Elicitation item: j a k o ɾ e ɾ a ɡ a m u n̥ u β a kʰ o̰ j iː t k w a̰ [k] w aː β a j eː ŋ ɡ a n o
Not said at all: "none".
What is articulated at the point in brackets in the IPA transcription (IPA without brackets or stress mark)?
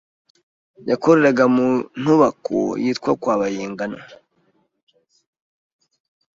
k